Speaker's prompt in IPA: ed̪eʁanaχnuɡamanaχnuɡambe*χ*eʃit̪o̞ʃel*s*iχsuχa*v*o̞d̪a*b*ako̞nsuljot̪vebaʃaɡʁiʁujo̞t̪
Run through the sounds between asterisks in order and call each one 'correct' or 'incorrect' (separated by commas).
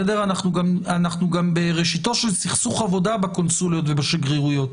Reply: incorrect, correct, correct, correct